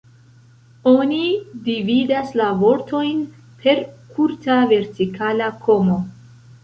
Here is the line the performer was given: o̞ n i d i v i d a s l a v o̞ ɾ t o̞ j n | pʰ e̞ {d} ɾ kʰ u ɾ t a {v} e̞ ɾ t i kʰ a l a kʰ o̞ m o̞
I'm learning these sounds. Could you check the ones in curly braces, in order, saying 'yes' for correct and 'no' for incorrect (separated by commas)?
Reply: no, yes